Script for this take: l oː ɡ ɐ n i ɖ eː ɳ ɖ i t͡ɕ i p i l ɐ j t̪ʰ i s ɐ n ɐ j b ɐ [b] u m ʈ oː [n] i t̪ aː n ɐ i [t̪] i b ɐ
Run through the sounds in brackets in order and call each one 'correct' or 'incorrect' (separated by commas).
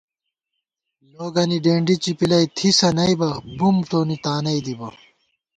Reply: correct, correct, incorrect